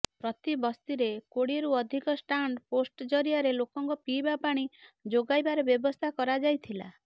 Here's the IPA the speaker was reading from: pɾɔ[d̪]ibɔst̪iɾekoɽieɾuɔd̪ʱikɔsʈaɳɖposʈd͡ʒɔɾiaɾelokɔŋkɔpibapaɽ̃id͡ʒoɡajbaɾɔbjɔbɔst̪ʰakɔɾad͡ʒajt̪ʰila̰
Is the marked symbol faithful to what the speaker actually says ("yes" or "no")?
no